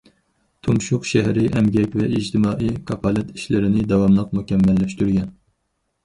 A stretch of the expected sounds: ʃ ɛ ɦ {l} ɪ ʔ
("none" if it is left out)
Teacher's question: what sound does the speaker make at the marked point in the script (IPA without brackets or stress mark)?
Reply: ɾ